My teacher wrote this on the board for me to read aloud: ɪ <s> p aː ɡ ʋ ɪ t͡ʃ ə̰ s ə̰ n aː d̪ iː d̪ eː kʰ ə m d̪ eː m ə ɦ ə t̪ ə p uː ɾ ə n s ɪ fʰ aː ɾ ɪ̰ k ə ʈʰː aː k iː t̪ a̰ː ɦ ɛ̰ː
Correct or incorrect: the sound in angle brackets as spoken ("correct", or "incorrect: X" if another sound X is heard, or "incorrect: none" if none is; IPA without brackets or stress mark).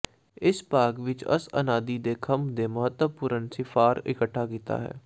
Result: correct